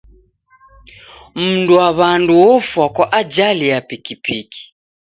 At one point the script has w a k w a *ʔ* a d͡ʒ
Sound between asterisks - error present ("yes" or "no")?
no